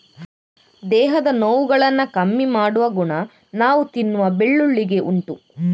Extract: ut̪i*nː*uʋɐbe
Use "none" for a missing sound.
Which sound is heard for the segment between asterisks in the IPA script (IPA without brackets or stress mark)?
nː